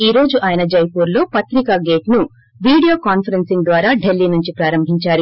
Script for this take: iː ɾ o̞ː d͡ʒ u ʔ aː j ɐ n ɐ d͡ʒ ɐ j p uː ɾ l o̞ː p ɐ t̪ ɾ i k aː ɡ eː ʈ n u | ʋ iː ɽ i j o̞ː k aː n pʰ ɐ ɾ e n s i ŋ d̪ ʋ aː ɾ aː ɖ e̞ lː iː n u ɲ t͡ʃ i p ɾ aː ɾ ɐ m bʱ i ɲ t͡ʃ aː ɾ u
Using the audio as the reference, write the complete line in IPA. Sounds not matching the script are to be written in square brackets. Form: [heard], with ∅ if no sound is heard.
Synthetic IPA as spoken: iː ɾ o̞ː d͡ʒ u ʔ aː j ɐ n ɐ d͡ʒ ɐ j p uː ɾ l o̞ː p ɐ t̪ ɾ i k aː ɡ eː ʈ n u | ʋ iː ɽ i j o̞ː k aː n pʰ ɐ ɾ e n s i ŋ d̪ ʋ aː ɾ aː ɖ e̞ lː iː n u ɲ t͡ʃ i p ɾ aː ɾ ɐ m bʱ i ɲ t͡ʃ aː ɾ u